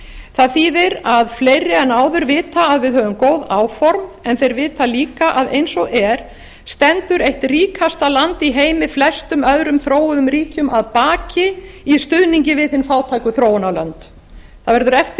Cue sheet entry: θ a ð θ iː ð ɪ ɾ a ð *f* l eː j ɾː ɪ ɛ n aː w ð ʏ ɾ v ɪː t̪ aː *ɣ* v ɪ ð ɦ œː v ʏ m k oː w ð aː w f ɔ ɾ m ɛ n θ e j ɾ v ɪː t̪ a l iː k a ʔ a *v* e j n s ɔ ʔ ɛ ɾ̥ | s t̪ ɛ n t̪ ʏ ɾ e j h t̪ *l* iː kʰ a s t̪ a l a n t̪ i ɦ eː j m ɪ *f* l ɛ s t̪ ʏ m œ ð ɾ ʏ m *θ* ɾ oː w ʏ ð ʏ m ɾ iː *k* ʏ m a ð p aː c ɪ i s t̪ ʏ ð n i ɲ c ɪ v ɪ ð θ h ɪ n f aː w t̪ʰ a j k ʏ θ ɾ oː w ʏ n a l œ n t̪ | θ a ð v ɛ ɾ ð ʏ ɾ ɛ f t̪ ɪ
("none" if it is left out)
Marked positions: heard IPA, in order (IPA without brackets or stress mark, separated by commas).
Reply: f, ð, ð, r, f, θ, c